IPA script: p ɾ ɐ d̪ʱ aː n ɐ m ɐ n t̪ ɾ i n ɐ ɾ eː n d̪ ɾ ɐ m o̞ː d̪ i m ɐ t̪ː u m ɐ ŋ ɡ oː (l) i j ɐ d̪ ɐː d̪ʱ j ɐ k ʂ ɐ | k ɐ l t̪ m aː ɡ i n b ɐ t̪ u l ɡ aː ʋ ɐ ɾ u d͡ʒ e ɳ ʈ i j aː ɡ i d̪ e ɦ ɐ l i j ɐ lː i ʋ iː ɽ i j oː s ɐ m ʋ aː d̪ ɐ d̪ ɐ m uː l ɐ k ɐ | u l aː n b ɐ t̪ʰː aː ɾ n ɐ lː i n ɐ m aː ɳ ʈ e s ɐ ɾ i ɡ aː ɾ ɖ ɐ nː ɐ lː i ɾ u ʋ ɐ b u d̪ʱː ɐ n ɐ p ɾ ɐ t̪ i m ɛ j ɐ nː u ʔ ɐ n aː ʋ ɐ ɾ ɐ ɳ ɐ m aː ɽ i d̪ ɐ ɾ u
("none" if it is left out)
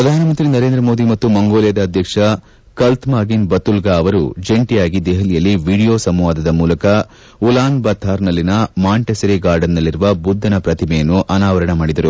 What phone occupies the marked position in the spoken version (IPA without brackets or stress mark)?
l